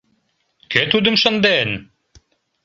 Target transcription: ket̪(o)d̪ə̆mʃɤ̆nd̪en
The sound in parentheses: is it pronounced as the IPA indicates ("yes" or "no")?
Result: no